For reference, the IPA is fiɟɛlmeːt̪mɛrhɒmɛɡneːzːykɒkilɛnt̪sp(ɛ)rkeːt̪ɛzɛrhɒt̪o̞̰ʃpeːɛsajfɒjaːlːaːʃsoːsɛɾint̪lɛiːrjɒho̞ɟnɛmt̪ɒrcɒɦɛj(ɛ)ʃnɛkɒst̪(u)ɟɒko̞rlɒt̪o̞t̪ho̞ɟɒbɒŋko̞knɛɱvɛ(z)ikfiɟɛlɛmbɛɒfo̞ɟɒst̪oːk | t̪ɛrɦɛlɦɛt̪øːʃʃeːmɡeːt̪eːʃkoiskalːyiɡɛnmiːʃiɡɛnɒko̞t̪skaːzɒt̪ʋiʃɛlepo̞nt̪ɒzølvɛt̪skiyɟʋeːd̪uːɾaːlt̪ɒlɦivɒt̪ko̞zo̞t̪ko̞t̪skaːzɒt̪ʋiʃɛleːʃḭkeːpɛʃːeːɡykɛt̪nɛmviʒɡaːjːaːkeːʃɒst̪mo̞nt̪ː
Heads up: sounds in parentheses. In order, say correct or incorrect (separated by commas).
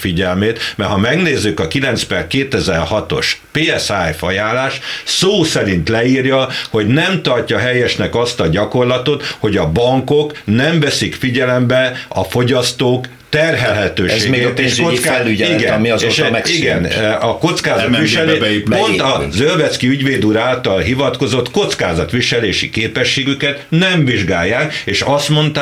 correct, correct, incorrect, incorrect